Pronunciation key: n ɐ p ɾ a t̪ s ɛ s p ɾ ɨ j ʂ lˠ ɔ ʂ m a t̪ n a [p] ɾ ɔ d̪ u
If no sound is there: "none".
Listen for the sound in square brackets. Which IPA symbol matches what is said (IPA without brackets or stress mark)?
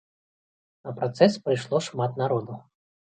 none